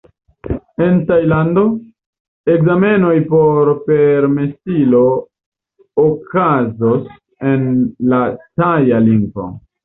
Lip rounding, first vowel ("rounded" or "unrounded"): unrounded